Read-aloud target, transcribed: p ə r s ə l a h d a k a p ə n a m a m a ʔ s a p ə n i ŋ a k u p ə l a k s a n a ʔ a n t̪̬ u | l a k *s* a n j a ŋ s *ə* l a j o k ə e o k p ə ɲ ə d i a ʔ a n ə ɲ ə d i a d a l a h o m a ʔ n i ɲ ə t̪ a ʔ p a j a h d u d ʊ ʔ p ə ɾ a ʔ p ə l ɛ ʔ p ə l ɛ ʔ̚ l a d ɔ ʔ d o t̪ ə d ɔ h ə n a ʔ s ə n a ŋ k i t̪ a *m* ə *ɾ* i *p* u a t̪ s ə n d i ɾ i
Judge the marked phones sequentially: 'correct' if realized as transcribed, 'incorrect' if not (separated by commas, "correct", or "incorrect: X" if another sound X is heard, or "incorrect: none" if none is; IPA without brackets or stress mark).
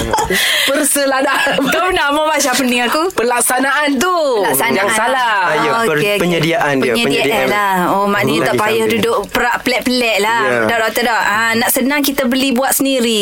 correct, incorrect: a, incorrect: b, incorrect: l, incorrect: b